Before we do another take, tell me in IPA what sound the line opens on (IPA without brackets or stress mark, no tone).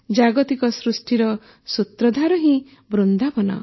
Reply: d͡ʒ